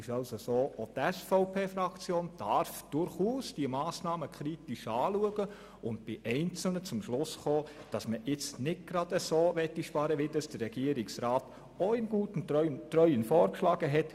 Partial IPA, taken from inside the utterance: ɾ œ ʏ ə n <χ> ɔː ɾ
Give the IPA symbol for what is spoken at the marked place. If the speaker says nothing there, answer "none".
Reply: f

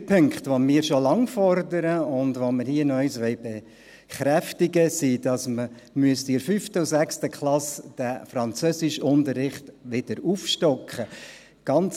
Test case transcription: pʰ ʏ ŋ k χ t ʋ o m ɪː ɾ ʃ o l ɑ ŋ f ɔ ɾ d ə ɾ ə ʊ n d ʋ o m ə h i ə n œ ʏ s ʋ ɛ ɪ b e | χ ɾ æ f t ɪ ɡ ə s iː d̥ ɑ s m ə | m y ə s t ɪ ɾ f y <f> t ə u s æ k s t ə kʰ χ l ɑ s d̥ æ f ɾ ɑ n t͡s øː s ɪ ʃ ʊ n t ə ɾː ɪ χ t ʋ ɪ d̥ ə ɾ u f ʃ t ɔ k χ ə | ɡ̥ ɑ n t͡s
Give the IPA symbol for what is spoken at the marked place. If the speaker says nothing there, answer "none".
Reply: f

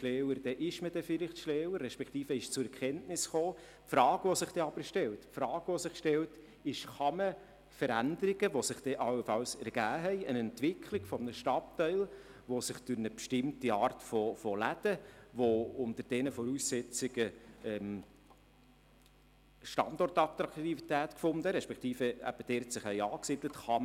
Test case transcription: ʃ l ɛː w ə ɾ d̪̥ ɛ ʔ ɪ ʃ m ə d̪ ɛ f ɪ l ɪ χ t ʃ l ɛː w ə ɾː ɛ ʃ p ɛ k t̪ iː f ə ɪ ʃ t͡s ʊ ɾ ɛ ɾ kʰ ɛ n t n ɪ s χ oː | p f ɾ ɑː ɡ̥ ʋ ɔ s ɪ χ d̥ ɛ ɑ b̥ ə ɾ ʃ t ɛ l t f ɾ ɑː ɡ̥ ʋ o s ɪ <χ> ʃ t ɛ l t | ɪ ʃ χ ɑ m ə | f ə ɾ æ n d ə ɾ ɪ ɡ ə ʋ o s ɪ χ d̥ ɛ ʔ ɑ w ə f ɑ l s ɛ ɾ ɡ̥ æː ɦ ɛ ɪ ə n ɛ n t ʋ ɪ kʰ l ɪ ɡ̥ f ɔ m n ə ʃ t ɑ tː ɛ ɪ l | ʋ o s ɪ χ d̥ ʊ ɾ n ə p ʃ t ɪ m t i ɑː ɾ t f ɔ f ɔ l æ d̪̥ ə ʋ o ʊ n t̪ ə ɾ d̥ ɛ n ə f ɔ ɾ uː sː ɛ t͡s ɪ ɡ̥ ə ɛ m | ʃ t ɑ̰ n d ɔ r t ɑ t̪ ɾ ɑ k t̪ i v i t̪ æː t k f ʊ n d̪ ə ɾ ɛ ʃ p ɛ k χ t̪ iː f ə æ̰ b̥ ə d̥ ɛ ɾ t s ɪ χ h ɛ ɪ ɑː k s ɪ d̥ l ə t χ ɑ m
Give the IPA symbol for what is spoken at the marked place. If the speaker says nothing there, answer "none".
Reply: χ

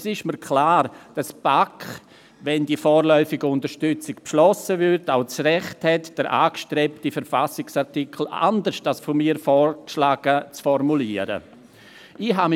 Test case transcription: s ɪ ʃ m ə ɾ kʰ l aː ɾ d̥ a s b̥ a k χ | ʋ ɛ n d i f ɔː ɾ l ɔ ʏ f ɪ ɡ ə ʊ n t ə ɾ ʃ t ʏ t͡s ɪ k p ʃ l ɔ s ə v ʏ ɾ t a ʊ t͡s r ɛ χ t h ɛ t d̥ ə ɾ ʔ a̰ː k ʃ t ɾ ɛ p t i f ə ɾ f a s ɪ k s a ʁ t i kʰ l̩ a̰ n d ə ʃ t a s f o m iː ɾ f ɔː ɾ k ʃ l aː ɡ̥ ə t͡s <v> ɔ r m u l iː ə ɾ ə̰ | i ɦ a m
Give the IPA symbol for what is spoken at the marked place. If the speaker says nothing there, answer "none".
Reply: f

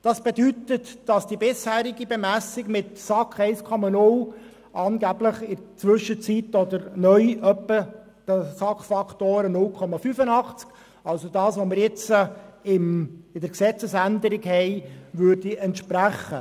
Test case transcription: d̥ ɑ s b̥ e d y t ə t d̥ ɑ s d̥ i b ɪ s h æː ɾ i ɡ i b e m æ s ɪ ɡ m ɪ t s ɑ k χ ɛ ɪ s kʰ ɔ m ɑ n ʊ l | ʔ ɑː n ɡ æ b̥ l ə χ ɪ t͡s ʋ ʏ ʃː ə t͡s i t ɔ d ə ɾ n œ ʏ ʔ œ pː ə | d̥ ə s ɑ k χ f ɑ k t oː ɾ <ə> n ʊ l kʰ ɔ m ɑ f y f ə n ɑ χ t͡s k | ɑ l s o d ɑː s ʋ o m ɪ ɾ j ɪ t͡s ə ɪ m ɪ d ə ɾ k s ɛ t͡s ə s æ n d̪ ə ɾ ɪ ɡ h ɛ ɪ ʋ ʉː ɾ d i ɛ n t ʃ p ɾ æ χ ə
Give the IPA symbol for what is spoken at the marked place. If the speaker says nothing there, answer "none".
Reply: ə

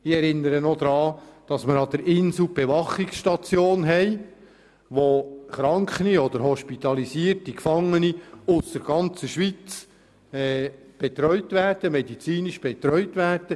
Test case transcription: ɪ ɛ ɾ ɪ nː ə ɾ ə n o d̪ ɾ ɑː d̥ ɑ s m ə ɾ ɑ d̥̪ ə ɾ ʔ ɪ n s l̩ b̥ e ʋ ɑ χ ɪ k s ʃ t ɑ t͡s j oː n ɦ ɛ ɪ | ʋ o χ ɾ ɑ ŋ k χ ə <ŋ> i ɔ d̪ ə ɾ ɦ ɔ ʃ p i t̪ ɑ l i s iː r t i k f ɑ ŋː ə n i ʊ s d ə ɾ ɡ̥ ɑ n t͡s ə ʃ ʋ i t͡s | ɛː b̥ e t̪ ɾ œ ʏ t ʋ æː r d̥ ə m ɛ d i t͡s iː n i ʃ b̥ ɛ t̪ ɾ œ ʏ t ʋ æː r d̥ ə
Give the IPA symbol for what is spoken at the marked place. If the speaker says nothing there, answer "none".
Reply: n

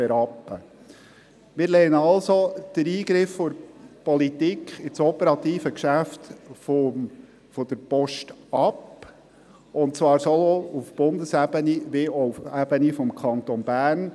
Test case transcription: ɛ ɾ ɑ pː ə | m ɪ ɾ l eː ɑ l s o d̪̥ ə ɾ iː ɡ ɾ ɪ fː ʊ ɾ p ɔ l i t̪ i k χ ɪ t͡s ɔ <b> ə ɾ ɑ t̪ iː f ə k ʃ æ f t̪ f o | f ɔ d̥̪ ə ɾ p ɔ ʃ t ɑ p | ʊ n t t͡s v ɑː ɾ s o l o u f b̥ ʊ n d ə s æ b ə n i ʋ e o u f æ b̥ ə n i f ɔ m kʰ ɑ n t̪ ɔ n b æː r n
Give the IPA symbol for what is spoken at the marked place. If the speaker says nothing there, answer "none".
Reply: p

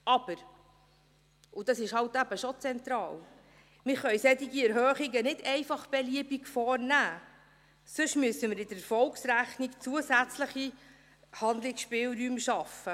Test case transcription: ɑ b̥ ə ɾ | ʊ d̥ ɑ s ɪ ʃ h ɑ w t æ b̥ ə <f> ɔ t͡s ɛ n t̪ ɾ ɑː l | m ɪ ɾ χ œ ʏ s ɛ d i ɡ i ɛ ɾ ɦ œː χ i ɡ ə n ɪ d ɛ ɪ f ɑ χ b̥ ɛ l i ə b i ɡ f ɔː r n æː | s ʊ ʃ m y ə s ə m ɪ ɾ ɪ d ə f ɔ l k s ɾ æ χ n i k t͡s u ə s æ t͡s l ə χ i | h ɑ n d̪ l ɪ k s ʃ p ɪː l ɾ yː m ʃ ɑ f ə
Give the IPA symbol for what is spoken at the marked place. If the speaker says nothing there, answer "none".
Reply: ʃ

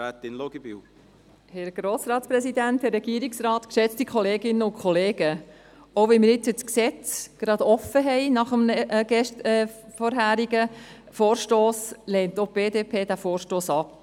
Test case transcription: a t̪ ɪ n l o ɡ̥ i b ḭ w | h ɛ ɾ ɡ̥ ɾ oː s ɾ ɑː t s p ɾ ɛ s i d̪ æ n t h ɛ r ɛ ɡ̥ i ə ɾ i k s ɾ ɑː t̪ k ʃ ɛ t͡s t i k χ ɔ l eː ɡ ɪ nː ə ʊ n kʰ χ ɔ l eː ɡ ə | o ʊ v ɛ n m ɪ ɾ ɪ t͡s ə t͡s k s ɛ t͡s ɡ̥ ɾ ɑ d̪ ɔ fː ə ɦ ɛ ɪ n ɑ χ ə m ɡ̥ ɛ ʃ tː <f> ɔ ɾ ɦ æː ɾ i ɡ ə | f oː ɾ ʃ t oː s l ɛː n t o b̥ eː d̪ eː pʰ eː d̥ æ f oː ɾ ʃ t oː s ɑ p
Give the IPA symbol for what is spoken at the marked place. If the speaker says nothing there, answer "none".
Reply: f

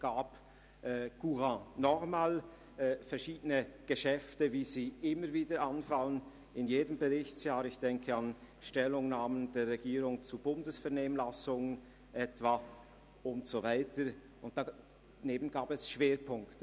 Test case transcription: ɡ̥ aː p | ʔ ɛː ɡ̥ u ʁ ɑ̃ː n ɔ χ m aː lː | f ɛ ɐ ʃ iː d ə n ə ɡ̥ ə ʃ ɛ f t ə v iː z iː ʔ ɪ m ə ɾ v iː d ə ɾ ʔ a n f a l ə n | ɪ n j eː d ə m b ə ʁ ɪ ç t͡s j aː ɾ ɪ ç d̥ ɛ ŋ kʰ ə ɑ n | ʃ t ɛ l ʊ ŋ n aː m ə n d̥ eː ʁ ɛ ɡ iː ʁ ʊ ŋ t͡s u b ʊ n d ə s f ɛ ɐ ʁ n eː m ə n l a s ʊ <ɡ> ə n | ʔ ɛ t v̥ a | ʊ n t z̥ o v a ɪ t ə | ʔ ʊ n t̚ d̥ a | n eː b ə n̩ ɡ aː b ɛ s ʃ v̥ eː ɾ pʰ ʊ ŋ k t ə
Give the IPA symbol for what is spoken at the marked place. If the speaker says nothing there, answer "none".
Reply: ŋ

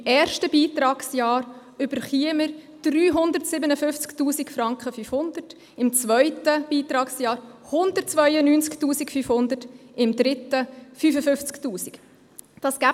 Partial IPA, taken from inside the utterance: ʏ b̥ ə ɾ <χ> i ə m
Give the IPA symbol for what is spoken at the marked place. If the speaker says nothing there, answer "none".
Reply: χ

